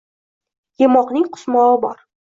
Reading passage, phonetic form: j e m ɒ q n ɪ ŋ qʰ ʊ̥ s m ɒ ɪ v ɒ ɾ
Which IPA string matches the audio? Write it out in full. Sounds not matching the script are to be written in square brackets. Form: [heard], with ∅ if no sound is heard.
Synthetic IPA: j e m ɒ q n ɪ ŋ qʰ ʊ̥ s m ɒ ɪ [b] ɒ ɾ

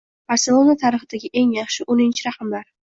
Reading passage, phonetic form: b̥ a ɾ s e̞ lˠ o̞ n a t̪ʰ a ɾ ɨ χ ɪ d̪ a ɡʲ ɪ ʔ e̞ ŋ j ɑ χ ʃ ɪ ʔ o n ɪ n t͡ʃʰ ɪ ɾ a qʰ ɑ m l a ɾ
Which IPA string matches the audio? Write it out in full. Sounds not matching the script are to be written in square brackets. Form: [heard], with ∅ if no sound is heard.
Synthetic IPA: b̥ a ɾ s e̞ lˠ o̞ n a t̪ʰ a ɾ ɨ χ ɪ d̪ a ɡʲ ɪ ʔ e̞ ŋ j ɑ χ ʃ ɪ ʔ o n ɪ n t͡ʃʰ ɪ ɾ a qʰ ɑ m l a ɾ

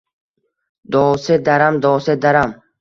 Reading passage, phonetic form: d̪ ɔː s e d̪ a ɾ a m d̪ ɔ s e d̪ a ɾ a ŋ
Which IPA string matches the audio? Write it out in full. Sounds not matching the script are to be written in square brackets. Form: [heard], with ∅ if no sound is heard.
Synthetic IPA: d̪ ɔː s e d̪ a ɾ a m d̪ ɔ s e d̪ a ɾ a [m]

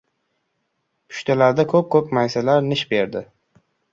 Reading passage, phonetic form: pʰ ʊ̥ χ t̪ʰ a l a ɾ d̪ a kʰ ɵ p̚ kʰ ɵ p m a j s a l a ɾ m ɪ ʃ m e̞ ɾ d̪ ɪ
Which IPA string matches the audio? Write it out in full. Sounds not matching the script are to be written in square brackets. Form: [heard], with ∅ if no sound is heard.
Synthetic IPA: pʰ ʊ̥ [ʃ] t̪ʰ a l a ɾ d̪ a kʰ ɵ p̚ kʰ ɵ p m a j s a l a ɾ [n] ɪ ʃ [b] e̞ ɾ d̪ ɪ

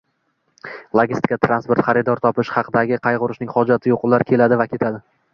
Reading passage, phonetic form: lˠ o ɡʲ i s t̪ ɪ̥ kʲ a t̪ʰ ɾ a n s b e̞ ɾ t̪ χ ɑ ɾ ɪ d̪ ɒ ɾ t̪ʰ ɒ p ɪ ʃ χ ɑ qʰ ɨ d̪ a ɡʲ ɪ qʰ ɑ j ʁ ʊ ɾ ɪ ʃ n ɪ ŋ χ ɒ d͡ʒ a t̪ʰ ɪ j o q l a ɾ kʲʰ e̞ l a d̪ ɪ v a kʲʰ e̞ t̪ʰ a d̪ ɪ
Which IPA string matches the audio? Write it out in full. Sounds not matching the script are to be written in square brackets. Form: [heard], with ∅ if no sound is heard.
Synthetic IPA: lˠ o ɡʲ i s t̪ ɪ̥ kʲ a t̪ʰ ɾ a n s [p] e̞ ɾ t̪ χ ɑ ɾ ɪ d̪ ɒ ɾ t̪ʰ ɒ p ɪ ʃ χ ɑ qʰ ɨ d̪ a ɡʲ ɪ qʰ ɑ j ʁ ʊ ɾ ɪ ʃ n ɪ ŋ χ ɒ d͡ʒ a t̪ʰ ɪ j o q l a ɾ kʲʰ e̞ l a d̪ ɪ v a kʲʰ e̞ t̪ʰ a d̪ ɪ

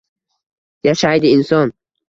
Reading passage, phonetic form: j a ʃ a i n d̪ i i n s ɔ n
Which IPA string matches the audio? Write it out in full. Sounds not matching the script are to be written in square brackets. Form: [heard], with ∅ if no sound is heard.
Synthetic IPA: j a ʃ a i [∅] d̪ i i n s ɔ n

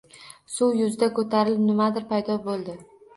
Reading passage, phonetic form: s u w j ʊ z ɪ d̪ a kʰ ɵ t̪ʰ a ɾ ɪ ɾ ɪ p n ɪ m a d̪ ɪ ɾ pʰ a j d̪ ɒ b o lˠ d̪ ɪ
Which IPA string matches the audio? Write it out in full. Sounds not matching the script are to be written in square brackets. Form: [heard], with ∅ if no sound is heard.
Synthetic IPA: s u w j ʊ z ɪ d̪ a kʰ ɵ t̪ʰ a ɾ ɪ [l] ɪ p n ɪ m a d̪ ɪ ɾ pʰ a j d̪ ɒ b o lˠ d̪ ɪ

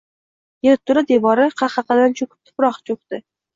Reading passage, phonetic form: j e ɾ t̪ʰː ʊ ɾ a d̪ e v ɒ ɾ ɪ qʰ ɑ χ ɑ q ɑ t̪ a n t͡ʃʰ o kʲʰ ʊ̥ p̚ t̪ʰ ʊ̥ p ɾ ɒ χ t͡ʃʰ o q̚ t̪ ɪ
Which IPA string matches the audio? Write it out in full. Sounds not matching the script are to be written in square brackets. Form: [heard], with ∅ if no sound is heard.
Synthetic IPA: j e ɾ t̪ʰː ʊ ɾ a d̪ e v ɒ ɾ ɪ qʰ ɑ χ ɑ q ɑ [d̪] a n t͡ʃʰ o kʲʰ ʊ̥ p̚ t̪ʰ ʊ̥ p ɾ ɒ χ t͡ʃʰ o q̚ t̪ ɪ

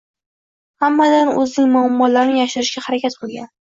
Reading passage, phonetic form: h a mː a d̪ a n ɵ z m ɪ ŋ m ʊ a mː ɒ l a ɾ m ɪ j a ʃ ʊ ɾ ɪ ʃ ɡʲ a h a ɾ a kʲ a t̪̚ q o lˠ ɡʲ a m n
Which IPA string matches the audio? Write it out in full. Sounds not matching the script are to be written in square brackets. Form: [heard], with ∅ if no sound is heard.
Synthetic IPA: h a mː a d̪ a n ɵ z [n] ɪ ŋ m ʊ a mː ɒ l a ɾ [n] ɪ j a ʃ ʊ ɾ ɪ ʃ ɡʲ a h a ɾ a kʲ a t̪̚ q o lˠ ɡʲ a [∅] n

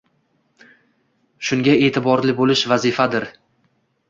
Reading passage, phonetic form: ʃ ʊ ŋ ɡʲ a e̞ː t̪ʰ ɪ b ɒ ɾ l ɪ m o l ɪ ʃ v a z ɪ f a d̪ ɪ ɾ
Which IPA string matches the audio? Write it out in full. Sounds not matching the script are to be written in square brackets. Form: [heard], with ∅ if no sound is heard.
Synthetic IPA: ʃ ʊ ŋ ɡʲ a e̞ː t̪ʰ ɪ b ɒ ɾ l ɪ [b] o l ɪ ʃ v a z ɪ f a d̪ ɪ ɾ

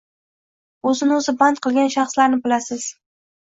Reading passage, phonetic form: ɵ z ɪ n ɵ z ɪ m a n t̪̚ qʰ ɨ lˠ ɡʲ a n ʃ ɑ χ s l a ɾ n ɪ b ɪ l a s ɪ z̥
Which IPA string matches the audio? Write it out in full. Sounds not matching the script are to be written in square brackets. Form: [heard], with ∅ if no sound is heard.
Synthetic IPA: ɵ z ɪ n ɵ z ɪ [b] a n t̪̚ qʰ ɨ lˠ ɡʲ a n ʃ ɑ χ s l a ɾ n ɪ b ɪ l a s ɪ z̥

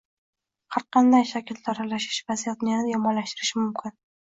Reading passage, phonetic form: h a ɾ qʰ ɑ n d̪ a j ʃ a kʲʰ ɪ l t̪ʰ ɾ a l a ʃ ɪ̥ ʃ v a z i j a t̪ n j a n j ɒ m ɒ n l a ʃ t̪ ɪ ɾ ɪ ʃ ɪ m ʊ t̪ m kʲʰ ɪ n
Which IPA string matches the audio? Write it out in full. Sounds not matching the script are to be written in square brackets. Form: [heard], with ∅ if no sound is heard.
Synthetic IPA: h a ɾ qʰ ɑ n d̪ a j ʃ a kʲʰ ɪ l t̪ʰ ɾ a l a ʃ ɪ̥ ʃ v a z i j a t̪ n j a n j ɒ m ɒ n l a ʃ t̪ ɪ ɾ ɪ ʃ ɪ m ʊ [∅] m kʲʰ ɪ n

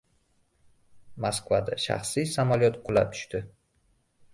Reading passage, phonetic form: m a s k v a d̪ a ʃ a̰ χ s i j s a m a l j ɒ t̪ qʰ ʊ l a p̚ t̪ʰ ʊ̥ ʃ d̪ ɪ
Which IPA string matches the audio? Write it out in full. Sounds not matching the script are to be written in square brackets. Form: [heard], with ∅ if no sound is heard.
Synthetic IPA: m a s k v a d̪ a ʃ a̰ χ s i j s a m a l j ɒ t̪ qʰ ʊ l a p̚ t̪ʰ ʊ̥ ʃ [t̪] ɪ

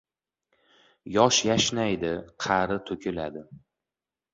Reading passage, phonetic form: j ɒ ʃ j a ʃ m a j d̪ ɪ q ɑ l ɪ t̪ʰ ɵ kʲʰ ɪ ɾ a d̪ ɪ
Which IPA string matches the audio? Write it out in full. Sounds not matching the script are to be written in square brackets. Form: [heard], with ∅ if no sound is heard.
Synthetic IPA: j ɒ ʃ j a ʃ [n] a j d̪ ɪ [qʰ] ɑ [ɾ] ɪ t̪ʰ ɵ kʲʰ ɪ [l] a d̪ ɪ

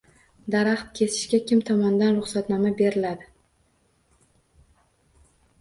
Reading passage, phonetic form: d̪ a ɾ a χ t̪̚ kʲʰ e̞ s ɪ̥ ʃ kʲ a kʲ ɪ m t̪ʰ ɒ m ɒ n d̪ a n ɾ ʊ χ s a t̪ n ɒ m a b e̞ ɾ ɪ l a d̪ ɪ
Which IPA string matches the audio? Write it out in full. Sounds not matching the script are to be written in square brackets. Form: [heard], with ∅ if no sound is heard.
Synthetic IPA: d̪ a ɾ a χ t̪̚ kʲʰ e̞ s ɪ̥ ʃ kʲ a kʲ ɪ m t̪ʰ ɒ m ɒ n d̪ a n ɾ ʊ χ s a t̪ n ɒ m a b e̞ ɾ ɪ l a d̪ ɪ

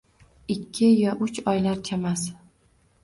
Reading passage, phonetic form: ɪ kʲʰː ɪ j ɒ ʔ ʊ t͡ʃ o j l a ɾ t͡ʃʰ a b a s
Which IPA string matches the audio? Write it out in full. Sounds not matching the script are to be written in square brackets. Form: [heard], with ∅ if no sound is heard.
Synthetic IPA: ɪ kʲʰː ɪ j ɒ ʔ ʊ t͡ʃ [ɒ] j l a ɾ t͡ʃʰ a [m] a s

